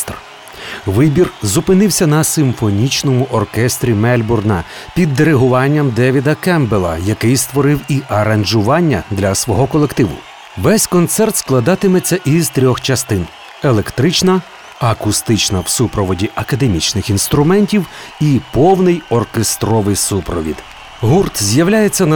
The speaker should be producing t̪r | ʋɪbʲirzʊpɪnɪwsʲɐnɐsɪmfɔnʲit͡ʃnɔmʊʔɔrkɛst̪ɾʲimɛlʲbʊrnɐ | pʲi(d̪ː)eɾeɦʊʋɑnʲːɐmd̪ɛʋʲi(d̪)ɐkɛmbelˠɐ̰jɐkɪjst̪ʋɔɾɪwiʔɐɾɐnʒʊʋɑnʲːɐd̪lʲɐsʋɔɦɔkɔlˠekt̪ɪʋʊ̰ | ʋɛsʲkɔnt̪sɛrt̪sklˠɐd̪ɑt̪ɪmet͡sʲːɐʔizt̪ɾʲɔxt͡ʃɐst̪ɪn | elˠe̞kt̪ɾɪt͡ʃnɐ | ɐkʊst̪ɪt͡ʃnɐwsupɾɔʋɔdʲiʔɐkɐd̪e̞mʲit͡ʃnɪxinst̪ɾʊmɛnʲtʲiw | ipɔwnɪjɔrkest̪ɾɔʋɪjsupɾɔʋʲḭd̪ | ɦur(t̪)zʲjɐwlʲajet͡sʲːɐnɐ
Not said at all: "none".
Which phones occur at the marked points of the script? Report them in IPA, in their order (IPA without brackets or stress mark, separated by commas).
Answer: d̪ː, d̪, t̪